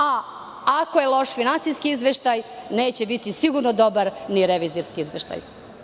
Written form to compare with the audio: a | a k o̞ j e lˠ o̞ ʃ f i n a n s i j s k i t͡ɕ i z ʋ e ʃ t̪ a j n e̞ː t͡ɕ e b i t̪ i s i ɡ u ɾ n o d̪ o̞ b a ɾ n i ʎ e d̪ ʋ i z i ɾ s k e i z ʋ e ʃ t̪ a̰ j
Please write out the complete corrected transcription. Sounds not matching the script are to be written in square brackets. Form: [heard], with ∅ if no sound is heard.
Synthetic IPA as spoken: a | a k o̞ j e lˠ o̞ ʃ f i n a n s i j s k i [∅] i z ʋ e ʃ t̪ a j n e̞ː t͡ɕ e b i t̪ i s i ɡ u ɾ n o d̪ o̞ b a ɾ n i [ɾ] e [∅] ʋ i z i ɾ s k [i] i z ʋ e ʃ t̪ a̰ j